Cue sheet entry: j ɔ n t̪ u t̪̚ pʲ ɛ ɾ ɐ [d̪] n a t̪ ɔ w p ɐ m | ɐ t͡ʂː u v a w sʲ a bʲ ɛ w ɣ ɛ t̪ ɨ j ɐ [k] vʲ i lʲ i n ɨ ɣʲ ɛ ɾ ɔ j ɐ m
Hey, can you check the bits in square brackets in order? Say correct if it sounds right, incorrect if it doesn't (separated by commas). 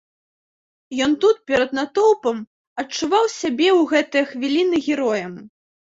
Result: correct, incorrect